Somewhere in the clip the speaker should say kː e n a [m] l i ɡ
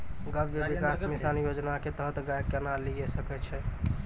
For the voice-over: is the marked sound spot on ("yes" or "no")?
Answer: no